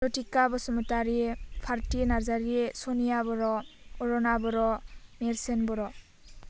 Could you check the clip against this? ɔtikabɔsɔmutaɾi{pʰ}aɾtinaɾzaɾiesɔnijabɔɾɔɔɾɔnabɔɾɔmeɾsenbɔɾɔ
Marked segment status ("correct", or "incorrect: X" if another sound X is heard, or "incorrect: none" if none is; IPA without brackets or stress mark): correct